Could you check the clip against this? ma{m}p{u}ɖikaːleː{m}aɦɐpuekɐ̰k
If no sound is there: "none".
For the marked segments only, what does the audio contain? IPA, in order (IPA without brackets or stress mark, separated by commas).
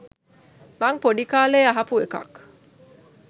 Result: ŋ, o, none